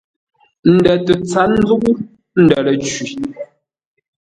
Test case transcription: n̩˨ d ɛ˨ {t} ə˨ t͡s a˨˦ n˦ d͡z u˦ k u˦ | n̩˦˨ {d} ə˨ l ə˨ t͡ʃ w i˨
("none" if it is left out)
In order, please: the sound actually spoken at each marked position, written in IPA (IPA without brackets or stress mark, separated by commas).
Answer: t, d